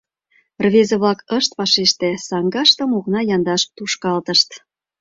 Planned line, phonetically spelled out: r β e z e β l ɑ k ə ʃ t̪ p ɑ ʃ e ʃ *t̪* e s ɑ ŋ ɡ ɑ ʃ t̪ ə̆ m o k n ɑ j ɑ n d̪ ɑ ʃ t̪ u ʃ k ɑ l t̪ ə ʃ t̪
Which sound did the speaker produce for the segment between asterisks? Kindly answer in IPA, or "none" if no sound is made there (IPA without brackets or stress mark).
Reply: t̪